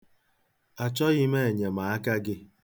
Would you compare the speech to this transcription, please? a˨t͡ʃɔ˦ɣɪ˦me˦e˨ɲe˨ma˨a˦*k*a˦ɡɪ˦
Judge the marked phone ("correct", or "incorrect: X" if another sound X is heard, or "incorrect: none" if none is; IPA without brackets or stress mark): correct